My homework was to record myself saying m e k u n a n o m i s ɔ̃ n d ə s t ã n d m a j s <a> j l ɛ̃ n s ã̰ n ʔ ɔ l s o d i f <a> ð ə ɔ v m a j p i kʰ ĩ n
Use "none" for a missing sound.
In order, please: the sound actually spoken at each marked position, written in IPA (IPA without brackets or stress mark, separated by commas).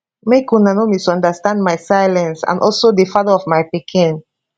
a, a